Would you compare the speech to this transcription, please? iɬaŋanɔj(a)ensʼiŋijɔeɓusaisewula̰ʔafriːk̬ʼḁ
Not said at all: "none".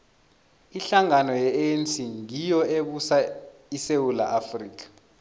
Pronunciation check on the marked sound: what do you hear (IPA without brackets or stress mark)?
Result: ɛ